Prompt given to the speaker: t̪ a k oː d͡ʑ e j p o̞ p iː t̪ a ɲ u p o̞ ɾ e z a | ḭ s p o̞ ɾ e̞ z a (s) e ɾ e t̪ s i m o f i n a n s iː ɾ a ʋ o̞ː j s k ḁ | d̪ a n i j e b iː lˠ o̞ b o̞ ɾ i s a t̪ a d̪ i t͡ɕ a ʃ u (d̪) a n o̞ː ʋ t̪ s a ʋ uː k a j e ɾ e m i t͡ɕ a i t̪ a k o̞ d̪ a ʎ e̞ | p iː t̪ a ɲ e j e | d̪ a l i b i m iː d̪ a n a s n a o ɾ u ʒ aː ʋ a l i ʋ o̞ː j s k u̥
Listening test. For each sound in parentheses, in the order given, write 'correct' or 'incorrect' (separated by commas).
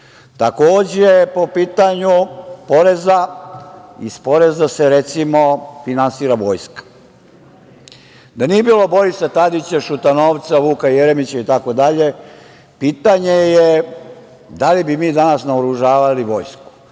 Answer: correct, incorrect